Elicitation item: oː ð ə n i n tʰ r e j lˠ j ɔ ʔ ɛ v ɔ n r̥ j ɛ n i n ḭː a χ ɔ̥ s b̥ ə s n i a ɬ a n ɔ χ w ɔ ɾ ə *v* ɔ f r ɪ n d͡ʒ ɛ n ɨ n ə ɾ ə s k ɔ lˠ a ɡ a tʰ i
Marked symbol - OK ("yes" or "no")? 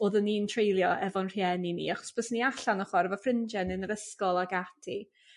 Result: yes